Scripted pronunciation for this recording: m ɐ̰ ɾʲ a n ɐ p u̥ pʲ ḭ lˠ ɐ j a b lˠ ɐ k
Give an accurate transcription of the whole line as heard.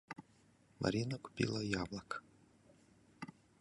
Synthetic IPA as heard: m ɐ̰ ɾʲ i n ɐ k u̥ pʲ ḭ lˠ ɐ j a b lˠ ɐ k